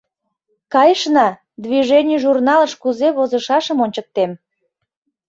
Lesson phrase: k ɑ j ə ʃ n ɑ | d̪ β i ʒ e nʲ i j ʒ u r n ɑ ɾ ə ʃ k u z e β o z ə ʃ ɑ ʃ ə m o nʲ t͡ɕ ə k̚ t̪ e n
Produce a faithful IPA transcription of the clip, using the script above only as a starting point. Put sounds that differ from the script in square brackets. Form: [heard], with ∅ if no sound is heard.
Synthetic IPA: k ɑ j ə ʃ n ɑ | d̪ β i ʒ e nʲ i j ʒ u r n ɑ [l] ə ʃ k u z e β o z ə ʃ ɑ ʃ ə m o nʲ t͡ɕ ə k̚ t̪ e [m]